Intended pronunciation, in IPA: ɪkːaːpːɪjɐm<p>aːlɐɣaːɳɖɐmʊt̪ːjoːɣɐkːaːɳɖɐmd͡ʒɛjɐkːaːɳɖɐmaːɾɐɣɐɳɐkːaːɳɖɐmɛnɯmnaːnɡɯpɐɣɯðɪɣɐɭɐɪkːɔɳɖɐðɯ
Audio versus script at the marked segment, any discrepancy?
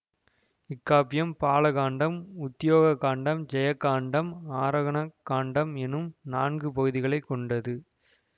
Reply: no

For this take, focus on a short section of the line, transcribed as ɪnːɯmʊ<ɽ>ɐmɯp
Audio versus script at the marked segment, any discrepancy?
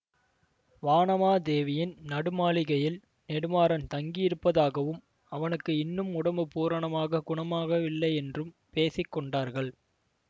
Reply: no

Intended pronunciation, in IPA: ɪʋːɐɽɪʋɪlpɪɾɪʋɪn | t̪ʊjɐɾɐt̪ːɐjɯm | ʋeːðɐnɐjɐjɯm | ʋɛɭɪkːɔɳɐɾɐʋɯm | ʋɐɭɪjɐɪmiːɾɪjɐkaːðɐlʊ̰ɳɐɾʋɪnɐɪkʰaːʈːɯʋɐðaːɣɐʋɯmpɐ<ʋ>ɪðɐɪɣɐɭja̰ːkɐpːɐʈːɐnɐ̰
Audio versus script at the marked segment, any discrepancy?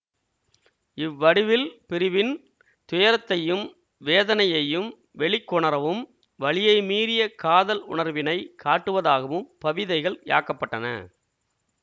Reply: no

